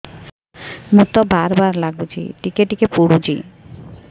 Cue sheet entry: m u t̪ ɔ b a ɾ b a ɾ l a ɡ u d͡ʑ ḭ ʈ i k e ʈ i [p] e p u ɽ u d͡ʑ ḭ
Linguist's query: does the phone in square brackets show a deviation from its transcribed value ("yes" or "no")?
yes